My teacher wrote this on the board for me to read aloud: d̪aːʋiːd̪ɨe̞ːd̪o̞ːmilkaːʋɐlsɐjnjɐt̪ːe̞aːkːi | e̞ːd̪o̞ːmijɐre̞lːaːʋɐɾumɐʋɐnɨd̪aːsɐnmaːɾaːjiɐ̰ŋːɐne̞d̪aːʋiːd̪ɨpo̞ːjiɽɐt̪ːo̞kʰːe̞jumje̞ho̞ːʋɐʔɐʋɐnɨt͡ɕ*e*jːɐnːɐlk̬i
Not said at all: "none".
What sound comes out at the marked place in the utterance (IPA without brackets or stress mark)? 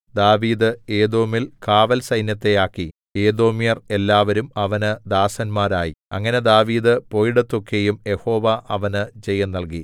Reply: e